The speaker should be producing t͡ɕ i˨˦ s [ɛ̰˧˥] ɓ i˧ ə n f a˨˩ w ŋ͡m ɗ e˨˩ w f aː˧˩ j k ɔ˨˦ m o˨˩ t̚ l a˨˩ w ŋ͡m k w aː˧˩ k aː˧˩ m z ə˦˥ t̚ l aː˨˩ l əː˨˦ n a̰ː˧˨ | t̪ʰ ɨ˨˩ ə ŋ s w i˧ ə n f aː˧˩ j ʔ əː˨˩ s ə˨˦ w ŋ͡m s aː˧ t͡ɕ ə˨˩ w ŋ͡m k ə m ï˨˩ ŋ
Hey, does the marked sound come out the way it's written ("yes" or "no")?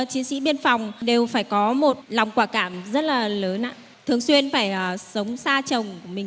no